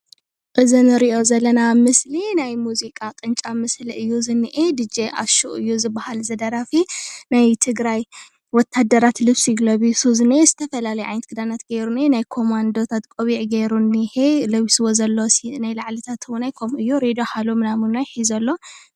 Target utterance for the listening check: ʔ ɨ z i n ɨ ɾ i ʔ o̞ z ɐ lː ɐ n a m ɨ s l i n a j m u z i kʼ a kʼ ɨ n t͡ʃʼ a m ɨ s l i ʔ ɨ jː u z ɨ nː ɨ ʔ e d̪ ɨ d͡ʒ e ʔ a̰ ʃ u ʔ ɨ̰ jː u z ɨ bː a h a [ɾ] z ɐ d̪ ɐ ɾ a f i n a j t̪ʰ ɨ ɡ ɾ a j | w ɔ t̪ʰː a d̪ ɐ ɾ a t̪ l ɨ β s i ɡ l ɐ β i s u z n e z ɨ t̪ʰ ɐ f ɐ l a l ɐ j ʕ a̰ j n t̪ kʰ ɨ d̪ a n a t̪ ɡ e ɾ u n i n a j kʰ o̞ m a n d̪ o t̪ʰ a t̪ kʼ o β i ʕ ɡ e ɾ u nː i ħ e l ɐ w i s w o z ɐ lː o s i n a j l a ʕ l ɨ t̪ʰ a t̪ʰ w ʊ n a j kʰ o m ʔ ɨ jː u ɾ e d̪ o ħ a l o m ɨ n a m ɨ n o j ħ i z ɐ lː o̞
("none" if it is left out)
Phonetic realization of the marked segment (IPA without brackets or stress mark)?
l